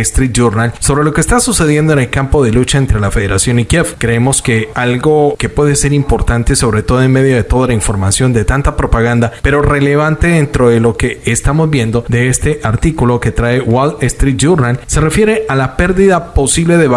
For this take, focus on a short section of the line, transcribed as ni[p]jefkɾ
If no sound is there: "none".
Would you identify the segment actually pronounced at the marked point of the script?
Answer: k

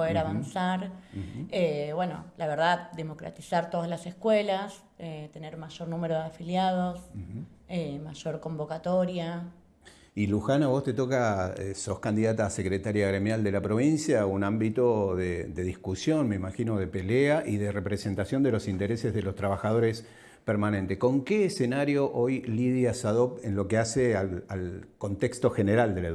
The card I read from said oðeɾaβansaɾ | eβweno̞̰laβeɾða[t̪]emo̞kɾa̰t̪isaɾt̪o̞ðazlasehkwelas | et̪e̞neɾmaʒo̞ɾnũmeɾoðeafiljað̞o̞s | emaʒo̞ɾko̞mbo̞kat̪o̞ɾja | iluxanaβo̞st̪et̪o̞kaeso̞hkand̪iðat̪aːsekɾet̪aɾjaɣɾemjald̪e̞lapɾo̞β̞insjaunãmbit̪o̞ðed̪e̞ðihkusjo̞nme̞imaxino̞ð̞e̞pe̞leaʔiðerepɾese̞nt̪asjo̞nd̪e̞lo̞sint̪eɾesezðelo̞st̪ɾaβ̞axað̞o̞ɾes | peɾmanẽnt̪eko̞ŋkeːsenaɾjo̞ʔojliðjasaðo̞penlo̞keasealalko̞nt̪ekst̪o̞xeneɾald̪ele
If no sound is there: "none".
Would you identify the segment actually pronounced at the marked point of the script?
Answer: d̪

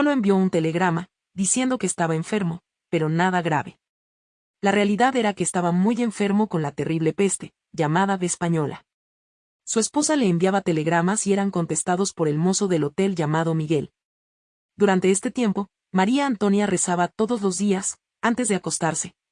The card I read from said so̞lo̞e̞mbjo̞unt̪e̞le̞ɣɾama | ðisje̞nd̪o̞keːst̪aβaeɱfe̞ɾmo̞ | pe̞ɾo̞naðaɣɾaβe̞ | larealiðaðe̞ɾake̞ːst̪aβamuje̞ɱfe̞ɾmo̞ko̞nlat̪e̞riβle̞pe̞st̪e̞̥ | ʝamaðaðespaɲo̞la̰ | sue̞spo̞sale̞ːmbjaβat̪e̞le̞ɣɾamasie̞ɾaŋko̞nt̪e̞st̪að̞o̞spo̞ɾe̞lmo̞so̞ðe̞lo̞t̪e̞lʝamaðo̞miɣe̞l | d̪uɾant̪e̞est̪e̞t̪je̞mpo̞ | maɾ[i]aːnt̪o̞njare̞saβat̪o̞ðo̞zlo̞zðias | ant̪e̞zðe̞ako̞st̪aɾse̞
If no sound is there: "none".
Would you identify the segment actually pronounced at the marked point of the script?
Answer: i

